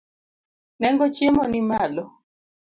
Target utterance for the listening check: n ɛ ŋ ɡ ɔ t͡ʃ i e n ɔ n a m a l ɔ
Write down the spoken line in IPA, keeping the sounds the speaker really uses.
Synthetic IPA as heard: n ɛ ŋ ɡ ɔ t͡ʃ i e m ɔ n i m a l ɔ